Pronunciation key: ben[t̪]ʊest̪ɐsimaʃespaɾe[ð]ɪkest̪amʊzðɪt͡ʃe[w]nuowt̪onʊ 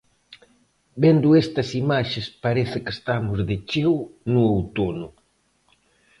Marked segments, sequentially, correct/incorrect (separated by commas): incorrect, incorrect, correct